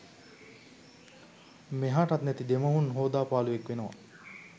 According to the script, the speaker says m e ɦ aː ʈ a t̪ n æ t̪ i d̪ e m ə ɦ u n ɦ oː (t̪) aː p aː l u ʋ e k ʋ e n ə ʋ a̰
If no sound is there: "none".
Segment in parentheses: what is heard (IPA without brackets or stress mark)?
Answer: d̪